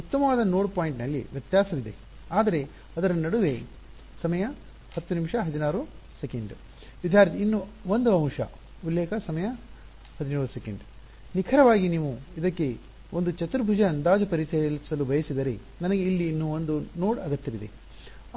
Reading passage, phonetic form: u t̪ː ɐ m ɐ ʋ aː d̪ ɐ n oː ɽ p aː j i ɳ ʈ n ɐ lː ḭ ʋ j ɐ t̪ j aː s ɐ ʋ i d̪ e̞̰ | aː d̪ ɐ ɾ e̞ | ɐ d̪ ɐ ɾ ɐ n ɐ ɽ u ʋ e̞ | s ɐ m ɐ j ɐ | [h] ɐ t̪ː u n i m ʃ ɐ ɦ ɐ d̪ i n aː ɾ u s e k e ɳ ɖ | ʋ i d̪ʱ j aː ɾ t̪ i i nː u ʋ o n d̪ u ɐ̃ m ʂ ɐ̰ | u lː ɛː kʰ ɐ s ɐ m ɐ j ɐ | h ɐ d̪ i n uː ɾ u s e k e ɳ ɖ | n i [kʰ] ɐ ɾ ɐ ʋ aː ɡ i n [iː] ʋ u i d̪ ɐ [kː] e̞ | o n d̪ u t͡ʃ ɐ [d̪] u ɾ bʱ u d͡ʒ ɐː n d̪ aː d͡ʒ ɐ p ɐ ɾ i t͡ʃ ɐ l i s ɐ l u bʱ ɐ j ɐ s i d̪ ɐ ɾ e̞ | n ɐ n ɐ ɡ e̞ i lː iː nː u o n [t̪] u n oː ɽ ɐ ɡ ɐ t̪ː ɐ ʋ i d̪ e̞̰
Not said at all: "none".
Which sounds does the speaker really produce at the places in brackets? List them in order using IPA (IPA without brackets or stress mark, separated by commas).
h, kʰ, iː, kː, t̪, d̪